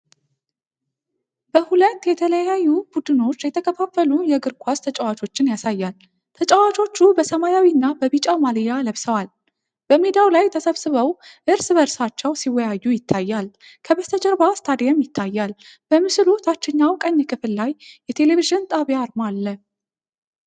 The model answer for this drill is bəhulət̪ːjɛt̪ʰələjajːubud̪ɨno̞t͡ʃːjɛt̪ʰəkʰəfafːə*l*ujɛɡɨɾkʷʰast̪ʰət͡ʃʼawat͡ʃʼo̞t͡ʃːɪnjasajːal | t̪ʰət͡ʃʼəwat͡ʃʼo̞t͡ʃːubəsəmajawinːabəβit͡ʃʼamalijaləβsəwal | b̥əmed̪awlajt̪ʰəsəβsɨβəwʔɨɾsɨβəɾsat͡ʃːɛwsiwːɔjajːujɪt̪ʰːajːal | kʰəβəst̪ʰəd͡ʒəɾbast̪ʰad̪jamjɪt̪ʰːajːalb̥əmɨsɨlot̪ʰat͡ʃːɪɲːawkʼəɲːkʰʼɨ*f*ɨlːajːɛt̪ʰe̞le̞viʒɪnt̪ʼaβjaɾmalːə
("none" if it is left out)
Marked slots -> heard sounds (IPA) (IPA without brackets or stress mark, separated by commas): l, f